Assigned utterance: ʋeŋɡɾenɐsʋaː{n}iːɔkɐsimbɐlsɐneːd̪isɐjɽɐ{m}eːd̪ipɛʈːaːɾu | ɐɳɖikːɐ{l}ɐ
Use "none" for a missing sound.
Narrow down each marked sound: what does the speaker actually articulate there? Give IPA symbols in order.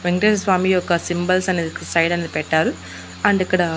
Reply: m, n, ɽ

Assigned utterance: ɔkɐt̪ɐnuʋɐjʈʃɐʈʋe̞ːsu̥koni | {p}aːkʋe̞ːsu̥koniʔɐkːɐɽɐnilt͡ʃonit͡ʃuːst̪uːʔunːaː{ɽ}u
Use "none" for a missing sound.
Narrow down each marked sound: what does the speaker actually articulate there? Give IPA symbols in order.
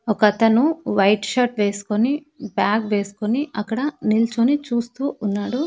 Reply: b, ɽ

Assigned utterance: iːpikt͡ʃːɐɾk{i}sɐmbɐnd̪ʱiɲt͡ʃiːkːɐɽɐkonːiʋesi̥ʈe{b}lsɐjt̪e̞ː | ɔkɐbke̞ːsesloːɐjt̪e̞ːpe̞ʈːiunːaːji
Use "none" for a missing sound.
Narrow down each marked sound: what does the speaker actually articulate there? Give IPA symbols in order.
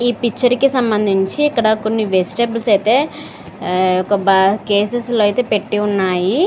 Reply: i, b

